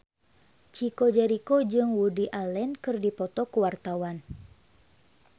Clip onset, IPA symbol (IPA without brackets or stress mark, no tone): t͡ʃ